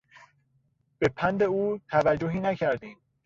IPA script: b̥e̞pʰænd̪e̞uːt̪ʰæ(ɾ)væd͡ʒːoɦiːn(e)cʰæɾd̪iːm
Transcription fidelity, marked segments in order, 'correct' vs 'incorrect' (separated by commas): incorrect, incorrect